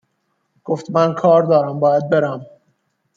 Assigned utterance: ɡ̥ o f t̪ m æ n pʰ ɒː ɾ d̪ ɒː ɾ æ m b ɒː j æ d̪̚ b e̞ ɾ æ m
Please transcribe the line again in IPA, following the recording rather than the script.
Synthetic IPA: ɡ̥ o f t̪ m æ n kʰ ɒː ɾ d̪ ɒː ɾ æ m b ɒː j æ d̪̚ b e̞ ɾ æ m